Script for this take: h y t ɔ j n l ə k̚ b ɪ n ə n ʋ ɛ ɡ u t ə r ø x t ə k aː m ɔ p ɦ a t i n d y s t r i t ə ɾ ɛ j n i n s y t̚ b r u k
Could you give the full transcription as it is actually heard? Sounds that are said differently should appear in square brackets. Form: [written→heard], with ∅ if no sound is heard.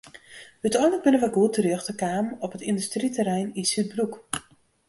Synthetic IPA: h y t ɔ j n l ə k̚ b ɪ n ə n ʋ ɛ ɡ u t ə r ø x t ə k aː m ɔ p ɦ [a→ə] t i n d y s t r i t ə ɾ ɛ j n i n s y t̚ b r u k